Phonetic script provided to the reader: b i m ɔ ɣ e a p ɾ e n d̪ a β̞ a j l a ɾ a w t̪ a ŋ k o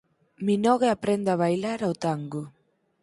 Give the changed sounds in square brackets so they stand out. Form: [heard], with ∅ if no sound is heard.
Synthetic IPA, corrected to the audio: [m] i [n] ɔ ɣ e a p ɾ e n d̪ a β̞ a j l a ɾ a w t̪ a ŋ [ɡ] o